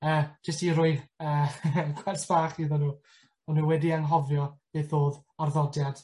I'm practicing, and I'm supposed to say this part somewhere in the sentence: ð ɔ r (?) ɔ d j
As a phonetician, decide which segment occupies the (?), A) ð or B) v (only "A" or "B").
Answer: A